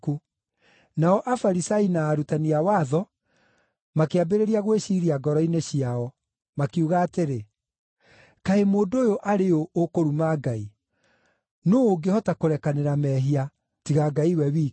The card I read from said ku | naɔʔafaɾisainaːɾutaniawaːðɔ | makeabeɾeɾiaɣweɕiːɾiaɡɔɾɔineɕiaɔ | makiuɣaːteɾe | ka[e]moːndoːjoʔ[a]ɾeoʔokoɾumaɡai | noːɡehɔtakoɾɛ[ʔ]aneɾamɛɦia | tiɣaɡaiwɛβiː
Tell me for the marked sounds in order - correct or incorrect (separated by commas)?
correct, correct, incorrect